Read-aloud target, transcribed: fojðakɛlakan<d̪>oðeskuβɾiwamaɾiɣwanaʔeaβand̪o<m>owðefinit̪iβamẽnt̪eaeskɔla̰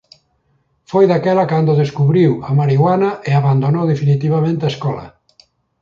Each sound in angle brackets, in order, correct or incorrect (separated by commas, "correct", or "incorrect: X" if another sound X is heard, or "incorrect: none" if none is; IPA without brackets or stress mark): correct, incorrect: n